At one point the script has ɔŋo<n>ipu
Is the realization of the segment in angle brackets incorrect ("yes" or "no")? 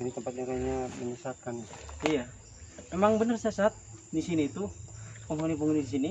no